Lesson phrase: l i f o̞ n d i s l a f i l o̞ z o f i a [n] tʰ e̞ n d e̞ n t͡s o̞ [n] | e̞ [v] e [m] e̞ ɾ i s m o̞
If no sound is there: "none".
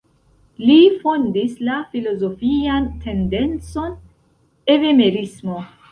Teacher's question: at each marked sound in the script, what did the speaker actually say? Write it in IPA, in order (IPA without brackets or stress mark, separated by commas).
n, n, v, m